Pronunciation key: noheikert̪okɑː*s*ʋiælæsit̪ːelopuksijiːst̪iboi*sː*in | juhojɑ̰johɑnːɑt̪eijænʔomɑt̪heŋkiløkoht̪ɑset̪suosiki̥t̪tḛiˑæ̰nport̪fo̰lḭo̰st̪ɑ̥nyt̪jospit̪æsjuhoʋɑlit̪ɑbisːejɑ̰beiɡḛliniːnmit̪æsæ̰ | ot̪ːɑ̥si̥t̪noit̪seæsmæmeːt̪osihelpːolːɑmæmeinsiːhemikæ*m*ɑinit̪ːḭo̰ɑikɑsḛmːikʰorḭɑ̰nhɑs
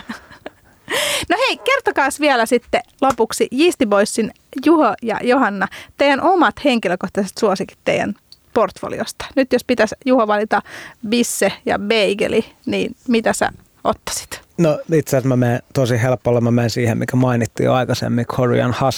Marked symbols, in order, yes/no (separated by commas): yes, yes, yes